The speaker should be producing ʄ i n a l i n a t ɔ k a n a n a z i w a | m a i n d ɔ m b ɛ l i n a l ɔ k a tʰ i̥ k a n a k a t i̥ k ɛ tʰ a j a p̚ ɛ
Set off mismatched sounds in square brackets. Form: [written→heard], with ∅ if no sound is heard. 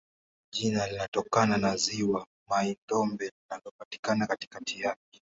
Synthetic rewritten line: ʄ i n a l i n a t ɔ k a n a n a z i w a | m a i n d ɔ m b ɛ l i n a l ɔ [k→p] a [tʰ→t] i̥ k a n a k a t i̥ k [ɛ→a] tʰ [a→i] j a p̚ ɛ